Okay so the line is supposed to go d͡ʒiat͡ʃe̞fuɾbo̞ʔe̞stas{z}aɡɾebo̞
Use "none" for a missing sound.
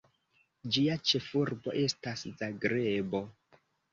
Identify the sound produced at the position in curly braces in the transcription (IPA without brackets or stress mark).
z